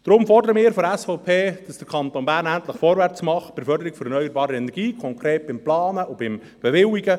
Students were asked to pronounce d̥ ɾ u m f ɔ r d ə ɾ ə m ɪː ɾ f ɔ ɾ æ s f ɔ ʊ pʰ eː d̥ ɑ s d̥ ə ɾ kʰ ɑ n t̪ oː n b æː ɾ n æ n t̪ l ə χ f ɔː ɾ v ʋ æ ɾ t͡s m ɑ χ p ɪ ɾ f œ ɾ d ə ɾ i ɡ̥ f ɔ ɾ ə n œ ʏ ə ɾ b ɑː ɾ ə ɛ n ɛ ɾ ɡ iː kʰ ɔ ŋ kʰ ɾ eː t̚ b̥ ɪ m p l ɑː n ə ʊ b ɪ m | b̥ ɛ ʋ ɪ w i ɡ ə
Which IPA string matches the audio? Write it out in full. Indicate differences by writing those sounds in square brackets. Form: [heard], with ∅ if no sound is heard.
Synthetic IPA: d̥ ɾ [ʊ] m f ɔ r d ə ɾ ə m ɪː ɾ f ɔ ɾ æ s f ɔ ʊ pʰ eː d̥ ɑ s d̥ ə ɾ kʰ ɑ n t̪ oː n b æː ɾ n æ n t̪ l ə χ f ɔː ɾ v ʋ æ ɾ t͡s m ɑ χ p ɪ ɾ f œ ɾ d ə ɾ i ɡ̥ f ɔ ɾ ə n œ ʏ ə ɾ b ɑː ɾ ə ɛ n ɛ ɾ ɡ iː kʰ ɔ ŋ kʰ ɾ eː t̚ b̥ ɪ m p l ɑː n ə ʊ b ɪ m | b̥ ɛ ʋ ɪ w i ɡ ə